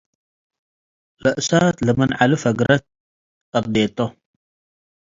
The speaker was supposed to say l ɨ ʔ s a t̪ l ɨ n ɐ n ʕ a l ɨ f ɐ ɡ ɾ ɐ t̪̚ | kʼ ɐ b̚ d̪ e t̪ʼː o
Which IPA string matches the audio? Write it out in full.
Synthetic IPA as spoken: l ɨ ʔ s a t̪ l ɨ m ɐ n ʕ a l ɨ f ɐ ɡ ɾ ɐ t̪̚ | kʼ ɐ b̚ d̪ e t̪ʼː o